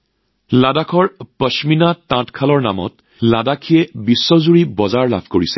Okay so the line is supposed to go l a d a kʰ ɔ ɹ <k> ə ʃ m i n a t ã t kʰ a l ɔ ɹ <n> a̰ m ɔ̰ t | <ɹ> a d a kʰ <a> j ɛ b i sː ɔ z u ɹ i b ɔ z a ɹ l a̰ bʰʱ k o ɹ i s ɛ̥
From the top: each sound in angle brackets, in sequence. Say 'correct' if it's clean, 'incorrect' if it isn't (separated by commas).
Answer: incorrect, correct, incorrect, incorrect